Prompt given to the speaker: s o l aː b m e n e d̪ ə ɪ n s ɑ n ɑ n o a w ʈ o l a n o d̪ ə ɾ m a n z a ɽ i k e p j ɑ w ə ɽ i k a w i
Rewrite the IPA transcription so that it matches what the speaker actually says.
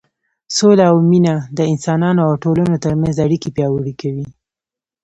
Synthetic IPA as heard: s o l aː w m i n a d̪ ə ɪ n s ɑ n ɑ n o a w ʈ o l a n o t̪ ə ɾ m a n z a ɽ i k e p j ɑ w ə ɽ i k a w i